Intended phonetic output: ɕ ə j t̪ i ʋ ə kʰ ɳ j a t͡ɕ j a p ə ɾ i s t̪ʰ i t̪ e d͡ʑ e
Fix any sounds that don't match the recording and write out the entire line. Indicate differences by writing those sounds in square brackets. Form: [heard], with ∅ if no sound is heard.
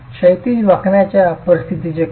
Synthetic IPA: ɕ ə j t̪ i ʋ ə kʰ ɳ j a t͡ɕ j a p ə ɾ i s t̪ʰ i t̪ [i] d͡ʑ e